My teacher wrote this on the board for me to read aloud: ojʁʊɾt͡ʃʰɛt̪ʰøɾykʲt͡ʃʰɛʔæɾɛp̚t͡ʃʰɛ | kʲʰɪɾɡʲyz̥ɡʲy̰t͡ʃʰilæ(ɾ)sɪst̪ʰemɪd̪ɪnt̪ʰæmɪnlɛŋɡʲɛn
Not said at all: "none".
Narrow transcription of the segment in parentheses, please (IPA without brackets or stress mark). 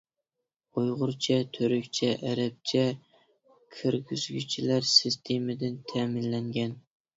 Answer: ɾ